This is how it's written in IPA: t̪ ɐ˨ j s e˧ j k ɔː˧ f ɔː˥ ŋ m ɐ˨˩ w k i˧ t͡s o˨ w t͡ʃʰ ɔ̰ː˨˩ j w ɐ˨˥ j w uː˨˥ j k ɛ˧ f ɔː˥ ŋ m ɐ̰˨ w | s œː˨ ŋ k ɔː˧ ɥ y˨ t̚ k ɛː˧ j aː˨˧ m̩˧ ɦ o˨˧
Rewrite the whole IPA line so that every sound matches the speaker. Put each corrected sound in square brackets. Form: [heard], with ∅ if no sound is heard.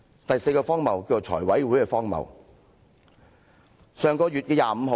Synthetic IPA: t̪ ɐ˨ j s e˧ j k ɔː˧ f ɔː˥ ŋ m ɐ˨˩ w k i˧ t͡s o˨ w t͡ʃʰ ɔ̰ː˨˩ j w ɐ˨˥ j w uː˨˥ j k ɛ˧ f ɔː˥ ŋ m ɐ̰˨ w | s œː˨ ŋ k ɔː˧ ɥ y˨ t̚ k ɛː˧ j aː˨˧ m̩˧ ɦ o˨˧